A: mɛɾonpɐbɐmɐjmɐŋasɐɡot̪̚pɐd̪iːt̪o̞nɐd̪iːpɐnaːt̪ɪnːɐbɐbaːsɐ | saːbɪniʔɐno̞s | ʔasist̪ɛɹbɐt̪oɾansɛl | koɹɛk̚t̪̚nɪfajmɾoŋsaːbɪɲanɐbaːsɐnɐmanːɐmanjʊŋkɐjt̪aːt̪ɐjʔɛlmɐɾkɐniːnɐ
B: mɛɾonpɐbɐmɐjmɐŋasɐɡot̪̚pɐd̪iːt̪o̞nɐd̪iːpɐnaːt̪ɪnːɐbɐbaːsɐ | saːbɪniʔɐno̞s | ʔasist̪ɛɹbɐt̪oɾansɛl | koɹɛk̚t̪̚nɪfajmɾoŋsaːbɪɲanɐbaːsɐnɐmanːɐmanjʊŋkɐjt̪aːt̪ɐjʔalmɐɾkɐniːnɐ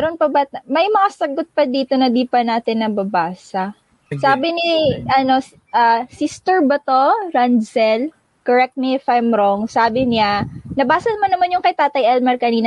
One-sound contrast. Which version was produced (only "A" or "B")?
A